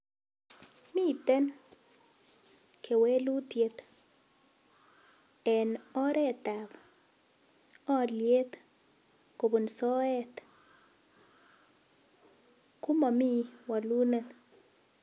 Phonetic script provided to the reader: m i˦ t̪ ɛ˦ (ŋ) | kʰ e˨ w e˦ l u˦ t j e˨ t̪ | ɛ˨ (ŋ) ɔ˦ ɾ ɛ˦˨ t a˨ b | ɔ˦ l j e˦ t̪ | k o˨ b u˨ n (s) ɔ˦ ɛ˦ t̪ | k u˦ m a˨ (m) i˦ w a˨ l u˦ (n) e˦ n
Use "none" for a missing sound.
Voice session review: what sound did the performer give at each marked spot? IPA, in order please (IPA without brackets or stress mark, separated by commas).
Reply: n, n, s, m, n